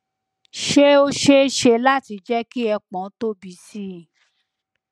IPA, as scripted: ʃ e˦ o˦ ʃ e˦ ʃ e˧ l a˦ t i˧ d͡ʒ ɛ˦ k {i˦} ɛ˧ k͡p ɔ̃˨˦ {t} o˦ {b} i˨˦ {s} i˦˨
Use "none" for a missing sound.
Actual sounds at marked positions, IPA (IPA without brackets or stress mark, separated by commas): i˦, t, b, s